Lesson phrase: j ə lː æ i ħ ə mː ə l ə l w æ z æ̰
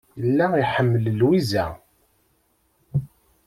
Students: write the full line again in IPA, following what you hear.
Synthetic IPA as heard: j ə lː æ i ħ ə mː ə l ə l w i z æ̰